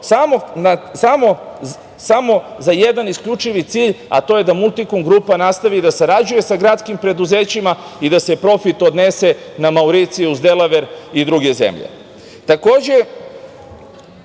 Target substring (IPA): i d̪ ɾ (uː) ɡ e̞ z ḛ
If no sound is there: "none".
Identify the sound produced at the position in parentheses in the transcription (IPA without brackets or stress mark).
u